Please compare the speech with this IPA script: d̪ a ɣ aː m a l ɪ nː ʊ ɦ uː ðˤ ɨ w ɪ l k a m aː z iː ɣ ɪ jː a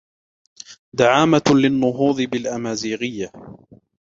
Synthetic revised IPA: d̪ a ʕ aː m a l ɪ nː ʊ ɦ uː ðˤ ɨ b ɪ l ʔ a m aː z iː ɣ ɪ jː a